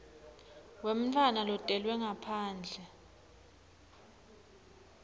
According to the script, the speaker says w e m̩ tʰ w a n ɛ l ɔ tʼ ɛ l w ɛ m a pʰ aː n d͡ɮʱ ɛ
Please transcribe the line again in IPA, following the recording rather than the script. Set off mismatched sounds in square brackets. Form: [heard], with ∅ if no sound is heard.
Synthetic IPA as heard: w e m̩ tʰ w a n [a] l ɔ tʼ ɛ l w ɛ [ŋ] a pʰ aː n d͡ɮʱ ɛ